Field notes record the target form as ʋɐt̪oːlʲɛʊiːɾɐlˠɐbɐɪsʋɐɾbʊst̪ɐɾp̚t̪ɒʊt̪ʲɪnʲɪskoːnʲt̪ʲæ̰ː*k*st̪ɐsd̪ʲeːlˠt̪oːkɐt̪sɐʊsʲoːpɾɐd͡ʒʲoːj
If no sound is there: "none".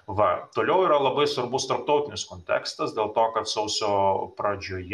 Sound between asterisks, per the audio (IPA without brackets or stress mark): k